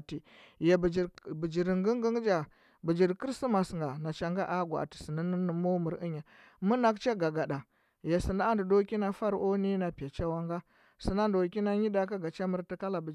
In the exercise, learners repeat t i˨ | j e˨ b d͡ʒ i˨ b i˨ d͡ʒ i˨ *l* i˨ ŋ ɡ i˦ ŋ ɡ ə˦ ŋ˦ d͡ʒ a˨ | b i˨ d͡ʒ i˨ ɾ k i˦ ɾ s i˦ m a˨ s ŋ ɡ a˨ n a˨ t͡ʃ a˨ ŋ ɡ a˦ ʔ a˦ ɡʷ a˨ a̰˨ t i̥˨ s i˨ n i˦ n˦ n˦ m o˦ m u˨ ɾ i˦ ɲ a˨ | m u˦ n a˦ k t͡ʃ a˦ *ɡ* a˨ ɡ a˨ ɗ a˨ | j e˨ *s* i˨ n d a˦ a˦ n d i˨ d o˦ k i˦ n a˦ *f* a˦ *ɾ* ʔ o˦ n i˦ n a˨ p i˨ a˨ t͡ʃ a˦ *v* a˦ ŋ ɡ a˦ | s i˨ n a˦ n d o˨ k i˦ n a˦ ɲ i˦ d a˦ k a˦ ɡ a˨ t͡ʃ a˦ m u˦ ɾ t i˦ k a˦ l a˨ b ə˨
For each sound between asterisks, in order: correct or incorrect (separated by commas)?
incorrect, correct, correct, correct, correct, incorrect